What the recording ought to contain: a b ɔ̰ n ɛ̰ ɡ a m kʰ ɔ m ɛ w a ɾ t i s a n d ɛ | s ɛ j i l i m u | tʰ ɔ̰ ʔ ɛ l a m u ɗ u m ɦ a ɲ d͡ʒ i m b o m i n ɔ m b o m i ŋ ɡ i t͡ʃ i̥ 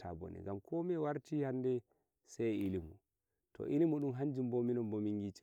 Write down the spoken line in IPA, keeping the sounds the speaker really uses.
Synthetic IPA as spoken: a b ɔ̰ n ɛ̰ ɡ a m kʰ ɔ m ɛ w a ɾ t i h a n d ɛ | s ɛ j i l i m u | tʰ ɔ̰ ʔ i l i m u ɗ u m ɦ a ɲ d͡ʒ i m b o m i n ɔ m b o m i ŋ ɡ i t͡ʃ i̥